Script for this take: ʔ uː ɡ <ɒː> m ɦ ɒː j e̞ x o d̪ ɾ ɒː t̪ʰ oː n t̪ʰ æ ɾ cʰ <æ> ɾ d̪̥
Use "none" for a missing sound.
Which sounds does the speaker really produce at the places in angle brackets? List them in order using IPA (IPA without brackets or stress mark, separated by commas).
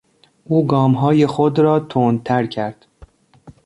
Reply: ɒː, æ